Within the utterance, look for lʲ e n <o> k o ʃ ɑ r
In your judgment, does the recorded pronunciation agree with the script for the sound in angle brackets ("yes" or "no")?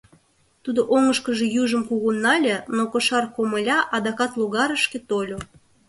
yes